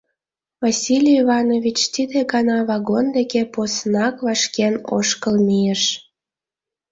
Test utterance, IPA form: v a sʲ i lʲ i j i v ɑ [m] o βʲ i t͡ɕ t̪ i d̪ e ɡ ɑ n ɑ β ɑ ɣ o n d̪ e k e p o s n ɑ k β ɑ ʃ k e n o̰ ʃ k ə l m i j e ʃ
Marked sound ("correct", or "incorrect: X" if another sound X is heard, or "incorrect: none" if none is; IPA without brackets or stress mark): incorrect: n